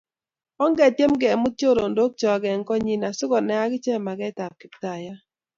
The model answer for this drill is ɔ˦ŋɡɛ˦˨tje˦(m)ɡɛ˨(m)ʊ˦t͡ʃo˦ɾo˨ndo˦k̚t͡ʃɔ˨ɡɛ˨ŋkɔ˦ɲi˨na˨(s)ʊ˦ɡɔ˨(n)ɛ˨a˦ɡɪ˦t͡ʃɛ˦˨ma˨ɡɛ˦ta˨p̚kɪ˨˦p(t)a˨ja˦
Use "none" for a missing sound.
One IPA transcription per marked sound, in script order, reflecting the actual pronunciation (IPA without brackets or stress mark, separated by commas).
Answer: m, m, s, n, t